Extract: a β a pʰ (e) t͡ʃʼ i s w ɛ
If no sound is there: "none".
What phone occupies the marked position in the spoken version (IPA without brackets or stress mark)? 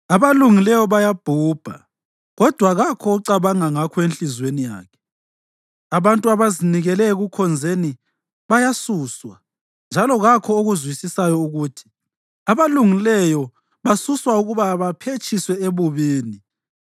e